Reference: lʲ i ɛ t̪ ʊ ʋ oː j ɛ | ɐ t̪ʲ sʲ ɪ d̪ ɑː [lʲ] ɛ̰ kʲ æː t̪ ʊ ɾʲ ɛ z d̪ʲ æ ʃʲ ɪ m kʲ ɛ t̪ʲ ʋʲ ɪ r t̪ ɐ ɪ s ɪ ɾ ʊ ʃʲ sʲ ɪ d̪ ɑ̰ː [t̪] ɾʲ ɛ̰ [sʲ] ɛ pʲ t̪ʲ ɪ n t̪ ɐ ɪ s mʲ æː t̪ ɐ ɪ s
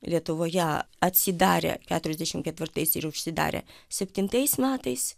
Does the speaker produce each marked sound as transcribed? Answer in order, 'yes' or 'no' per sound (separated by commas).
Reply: no, no, yes